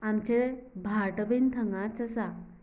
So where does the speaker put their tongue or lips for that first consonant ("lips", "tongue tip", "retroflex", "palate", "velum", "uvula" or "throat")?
lips